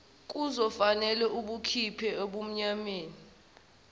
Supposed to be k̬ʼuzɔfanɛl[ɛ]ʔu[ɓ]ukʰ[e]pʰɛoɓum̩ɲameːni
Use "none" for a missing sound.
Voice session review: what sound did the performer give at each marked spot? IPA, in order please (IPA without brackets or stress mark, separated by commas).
ɛ, ɓ, i